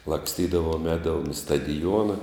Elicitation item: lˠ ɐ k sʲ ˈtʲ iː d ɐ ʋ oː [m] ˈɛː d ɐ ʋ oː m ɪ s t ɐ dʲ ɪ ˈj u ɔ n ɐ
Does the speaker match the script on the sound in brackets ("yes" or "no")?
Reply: yes